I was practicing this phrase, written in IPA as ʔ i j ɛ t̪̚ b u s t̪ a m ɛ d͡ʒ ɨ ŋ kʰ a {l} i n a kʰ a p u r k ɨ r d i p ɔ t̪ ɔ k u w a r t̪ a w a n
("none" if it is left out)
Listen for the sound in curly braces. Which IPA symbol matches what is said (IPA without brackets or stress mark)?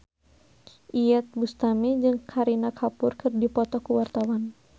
ɾ